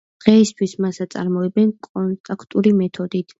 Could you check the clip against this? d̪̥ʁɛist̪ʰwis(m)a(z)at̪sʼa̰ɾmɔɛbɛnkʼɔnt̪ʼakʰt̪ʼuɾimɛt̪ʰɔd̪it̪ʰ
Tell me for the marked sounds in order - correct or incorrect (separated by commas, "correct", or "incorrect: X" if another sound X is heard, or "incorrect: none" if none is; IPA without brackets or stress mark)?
correct, incorrect: s